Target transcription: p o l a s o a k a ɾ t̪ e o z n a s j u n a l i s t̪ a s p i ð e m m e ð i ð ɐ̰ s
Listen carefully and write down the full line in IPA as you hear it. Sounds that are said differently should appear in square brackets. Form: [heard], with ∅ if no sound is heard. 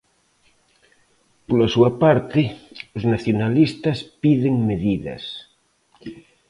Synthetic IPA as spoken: p o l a s [u] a [p] a ɾ t̪ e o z n a [θ] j [o] n a l i s t̪ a s p i ð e [ŋ] m e ð i ð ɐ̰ s